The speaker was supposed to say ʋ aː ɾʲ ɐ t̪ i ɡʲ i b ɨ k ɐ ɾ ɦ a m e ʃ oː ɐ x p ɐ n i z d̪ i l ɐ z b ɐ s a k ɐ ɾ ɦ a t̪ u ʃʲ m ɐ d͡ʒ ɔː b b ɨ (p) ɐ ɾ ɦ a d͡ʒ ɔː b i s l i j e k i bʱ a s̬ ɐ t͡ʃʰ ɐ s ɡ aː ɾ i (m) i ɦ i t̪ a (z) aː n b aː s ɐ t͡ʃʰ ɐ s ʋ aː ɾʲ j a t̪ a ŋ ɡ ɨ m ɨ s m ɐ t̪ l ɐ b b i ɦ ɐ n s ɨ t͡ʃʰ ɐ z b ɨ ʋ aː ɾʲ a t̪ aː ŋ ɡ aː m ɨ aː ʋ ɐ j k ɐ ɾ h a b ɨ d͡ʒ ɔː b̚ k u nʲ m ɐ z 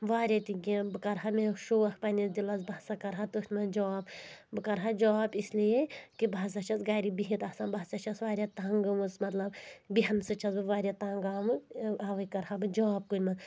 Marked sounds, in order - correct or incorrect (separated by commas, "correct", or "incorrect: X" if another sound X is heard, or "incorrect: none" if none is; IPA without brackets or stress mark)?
incorrect: k, incorrect: b, incorrect: s